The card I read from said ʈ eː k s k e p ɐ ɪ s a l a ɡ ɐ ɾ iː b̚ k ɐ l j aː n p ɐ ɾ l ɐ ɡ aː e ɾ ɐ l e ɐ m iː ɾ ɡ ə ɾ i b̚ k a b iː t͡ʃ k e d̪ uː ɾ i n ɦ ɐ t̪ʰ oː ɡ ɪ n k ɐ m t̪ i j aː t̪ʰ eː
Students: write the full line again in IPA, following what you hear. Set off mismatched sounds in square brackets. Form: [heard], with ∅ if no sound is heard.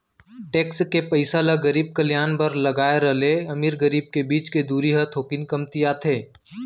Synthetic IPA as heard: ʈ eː k s k e p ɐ ɪ s a l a ɡ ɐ ɾ iː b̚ k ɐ l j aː n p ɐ ɾ l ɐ ɡ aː e ɾ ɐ l e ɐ m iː ɾ ɡ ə ɾ [iː] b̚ k [e] b iː t͡ʃ k e d̪ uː ɾ i [∅] ɦ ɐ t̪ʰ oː [k] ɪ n k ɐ m t̪ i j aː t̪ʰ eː